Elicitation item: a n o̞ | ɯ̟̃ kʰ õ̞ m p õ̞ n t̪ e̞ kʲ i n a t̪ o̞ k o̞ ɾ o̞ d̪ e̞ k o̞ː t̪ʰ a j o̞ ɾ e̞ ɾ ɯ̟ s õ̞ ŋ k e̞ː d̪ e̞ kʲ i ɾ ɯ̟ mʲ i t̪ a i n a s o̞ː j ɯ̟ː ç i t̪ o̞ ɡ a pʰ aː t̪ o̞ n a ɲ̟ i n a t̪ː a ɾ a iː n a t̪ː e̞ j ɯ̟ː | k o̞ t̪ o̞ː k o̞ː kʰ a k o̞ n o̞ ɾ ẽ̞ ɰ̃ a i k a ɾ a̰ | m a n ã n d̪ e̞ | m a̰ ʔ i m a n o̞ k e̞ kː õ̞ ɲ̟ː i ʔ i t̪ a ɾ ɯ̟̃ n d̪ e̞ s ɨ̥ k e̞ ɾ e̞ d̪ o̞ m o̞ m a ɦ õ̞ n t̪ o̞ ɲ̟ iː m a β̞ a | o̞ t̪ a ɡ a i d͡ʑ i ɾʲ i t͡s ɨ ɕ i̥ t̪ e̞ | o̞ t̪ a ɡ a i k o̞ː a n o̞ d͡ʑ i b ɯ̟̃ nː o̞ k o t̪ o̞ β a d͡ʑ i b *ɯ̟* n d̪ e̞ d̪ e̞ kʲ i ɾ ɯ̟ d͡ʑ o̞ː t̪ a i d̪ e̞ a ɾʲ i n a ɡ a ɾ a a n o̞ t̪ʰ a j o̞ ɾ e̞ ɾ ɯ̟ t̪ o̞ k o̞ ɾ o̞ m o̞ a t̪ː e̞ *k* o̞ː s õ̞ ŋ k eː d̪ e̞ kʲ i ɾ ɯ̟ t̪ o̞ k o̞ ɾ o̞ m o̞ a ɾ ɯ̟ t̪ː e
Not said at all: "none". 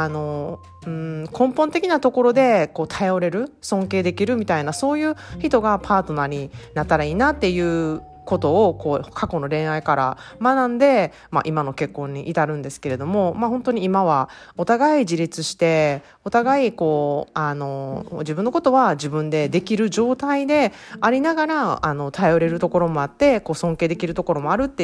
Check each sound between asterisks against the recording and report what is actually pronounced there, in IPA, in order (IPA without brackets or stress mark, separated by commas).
ɯ̟̃, k